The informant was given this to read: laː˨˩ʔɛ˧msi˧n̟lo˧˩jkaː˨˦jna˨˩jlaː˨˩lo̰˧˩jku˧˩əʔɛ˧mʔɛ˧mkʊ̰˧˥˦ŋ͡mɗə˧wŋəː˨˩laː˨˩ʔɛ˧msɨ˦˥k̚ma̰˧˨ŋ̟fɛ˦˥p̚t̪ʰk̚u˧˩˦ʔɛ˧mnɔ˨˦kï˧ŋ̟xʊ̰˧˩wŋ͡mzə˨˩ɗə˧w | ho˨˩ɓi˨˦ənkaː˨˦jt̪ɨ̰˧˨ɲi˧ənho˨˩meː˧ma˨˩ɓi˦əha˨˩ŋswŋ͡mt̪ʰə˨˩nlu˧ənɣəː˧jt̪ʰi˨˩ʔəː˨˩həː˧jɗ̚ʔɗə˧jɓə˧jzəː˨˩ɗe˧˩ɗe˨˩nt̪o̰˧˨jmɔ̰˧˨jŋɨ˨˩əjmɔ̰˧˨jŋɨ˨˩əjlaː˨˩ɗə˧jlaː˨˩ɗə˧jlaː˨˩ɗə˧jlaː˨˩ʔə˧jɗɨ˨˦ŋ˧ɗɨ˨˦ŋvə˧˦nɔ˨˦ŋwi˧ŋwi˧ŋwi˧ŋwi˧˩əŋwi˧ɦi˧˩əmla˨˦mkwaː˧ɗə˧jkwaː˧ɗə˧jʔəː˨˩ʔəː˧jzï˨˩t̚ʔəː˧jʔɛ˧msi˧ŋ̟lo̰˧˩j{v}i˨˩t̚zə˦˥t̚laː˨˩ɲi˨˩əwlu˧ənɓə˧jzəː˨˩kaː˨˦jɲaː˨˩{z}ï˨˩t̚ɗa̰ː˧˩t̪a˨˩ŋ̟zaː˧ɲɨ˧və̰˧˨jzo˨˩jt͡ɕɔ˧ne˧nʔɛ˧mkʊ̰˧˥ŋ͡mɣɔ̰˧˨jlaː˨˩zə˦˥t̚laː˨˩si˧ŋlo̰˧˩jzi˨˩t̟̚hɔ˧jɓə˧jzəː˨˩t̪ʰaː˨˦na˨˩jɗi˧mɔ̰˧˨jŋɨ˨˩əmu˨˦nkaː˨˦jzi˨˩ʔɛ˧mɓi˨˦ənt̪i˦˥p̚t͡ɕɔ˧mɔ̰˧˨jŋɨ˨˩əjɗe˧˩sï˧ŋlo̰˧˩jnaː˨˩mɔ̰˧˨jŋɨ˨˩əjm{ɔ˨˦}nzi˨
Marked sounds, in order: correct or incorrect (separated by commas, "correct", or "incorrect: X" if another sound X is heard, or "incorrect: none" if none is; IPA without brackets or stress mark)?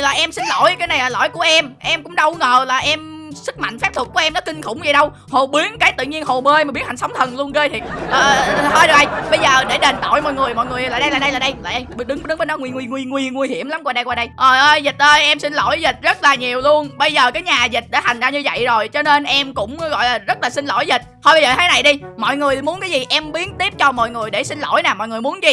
incorrect: z, correct, incorrect: u˨˦